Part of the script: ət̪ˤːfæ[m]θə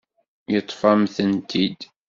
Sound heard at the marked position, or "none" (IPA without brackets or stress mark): m